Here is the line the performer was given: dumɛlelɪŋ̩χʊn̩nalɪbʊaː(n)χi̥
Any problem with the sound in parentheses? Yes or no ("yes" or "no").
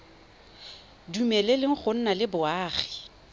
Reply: yes